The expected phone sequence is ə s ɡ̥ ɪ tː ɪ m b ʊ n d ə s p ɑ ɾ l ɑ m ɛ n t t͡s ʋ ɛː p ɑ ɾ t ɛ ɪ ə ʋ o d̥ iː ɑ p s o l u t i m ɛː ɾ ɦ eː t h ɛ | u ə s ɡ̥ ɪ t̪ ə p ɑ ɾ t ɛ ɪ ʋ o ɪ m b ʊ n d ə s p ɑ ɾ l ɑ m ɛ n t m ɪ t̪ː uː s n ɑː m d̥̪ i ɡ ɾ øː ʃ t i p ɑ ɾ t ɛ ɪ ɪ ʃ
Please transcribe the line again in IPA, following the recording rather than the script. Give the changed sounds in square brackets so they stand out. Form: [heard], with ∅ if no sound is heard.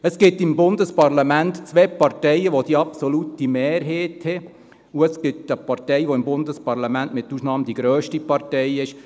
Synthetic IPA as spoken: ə s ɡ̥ ɪ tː ɪ m b ʊ n d ə s p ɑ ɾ l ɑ m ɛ n t t͡s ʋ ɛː p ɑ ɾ t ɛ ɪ ə ʋ o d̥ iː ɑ p s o l u t i m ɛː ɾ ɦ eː t h ɛ | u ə s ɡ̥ ɪ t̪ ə p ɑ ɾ t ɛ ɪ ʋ o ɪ m b ʊ n d ə s p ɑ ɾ l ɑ m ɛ n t m ɪ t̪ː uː s n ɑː m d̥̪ i ɡ ɾ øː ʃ t i p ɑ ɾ t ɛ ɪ ɪ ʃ